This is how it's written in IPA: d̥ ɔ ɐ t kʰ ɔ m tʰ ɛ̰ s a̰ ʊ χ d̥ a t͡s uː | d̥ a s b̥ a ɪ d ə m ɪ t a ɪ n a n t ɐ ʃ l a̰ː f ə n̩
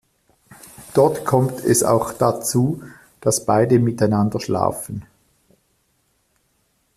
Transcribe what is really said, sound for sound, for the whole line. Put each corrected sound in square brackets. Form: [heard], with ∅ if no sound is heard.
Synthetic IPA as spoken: d̥ ɔ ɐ t kʰ ɔ m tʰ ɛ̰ s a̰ ʊ [x] d̥ a t͡s uː | d̥ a s b̥ a ɪ d ə m ɪ t a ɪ n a n [d] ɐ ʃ l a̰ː f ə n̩